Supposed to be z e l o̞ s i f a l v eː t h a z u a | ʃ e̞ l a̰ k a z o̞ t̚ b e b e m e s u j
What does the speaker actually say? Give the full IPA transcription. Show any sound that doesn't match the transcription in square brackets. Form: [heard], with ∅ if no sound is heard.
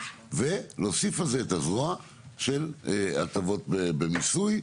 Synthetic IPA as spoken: [v] e l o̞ s i f a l [z] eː t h a z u a | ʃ e̞ l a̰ [t] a [v] o̞ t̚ b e b e m [i] s u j